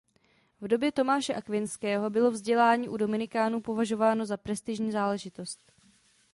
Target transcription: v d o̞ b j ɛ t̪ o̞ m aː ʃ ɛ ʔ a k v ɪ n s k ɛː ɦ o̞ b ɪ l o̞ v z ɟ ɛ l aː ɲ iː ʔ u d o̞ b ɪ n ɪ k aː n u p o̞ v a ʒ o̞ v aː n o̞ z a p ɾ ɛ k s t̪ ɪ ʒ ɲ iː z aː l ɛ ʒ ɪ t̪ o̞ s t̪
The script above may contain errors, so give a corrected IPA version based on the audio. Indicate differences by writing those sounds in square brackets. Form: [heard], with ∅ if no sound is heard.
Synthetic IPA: v d o̞ b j ɛ t̪ o̞ m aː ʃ ɛ ʔ a k v ɪ n s k ɛː ɦ o̞ b ɪ l o̞ v z ɟ ɛ l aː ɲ iː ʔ u d o̞ [m] ɪ n ɪ k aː n u p o̞ v a ʒ o̞ v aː n o̞ z a p ɾ ɛ [∅] s t̪ ɪ ʒ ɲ iː z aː l ɛ ʒ ɪ t̪ o̞ s t̪